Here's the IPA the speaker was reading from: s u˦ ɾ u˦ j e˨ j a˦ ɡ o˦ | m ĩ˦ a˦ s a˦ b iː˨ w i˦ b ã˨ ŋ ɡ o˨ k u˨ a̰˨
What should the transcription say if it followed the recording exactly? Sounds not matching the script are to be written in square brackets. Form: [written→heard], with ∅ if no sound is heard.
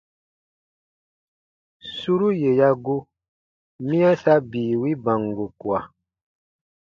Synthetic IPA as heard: s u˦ ɾ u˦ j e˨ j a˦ ɡ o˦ | m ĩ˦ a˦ s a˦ b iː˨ w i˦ b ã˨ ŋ ɡ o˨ k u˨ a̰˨